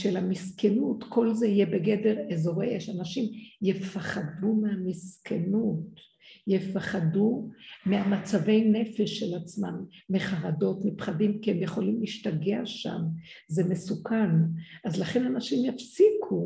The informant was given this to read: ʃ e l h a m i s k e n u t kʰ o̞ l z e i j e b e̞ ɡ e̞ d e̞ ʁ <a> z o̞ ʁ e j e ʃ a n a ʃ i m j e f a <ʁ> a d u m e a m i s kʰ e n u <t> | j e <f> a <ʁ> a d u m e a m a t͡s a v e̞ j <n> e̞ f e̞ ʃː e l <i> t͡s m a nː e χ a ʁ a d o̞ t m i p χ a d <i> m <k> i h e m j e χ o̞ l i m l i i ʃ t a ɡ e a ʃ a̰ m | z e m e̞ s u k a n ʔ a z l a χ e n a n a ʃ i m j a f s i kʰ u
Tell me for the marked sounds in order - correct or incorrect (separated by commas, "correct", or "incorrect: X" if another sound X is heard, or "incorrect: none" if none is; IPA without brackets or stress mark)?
incorrect: e, incorrect: χ, correct, correct, incorrect: χ, correct, incorrect: a, correct, correct